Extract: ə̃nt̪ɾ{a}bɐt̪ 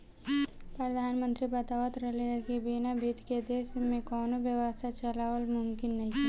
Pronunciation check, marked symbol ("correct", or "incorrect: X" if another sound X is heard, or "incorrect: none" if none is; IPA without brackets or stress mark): incorrect: i